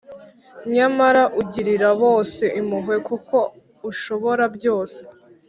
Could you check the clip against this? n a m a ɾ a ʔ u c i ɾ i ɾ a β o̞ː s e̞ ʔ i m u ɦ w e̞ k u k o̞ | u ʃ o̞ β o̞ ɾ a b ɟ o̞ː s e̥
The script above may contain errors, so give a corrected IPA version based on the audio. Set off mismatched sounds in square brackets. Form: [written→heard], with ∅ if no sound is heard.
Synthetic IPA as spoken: [n→ɲ] a m a ɾ a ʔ u [c→ɟ] i ɾ i ɾ a β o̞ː s e̞ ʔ i m u ɦ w e̞ k u k o̞ | u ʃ o̞ β o̞ ɾ a b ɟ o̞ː s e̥